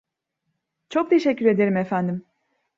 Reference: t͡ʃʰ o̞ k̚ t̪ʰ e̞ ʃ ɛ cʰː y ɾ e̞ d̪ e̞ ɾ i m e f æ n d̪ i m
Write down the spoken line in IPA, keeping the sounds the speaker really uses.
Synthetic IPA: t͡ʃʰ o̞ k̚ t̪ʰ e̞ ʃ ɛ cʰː y ɾ e̞ d̪ e̞ ɾ i m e f æ n d̪ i m